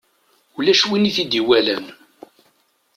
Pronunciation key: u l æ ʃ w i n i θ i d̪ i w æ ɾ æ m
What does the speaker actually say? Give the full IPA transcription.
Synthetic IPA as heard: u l æ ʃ w i n i θ i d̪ i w æ l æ n

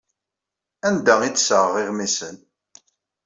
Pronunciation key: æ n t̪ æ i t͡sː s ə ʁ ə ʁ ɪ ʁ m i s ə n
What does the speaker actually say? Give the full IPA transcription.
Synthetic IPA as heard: æ n d̪ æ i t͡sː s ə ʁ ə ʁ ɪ ʁ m i s ə n

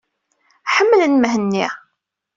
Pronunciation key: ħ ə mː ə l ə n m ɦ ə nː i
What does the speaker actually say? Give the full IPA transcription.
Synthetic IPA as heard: ħ ə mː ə l ə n m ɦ ə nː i

